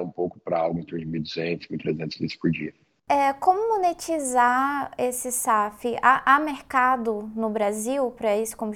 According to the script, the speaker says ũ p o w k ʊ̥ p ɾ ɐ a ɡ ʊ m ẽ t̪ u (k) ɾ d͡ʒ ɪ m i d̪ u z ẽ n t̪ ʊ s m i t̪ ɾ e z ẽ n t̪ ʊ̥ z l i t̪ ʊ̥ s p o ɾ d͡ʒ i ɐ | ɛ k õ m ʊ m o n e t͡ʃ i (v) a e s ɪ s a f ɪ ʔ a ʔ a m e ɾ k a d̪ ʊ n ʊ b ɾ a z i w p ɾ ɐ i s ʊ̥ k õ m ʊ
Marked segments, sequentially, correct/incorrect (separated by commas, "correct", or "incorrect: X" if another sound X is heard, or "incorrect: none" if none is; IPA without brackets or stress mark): incorrect: none, incorrect: z